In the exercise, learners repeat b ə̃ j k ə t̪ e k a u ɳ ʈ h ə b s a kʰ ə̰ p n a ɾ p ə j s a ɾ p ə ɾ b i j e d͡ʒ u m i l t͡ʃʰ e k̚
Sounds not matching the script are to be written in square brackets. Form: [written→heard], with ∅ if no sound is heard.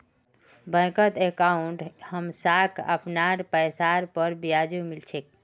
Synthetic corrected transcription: b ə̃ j k ə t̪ e k a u ɳ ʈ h ə [b→m] s a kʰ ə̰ p n a ɾ p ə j s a ɾ p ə ɾ b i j [e→a] d͡ʒ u m i l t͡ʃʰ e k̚